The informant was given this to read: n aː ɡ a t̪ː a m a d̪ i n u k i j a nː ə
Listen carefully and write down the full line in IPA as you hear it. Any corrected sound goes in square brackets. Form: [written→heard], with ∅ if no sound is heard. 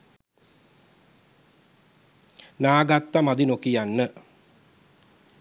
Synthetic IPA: n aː ɡ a t̪ː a m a d̪ i n [u→o] k i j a nː ə